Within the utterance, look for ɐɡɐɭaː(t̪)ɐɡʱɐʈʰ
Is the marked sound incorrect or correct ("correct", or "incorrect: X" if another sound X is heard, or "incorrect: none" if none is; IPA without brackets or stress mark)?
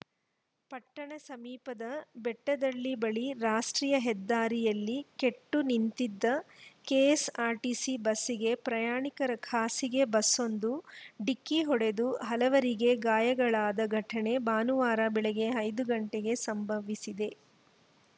incorrect: d̪